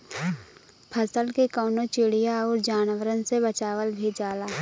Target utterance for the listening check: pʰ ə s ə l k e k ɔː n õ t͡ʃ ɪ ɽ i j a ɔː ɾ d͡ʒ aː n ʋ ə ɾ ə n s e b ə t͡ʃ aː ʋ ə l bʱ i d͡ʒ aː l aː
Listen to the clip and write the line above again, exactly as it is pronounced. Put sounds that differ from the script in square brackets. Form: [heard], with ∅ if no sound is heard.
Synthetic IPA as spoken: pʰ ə s ə l k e k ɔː n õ t͡ʃ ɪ ɽ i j a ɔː ɾ d͡ʒ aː n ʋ ə ɾ ə n s e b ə t͡ʃ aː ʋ ə l bʱ i d͡ʒ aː l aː